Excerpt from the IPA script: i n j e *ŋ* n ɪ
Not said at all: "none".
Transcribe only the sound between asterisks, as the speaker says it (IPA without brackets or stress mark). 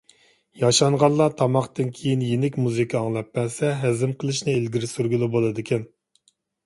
none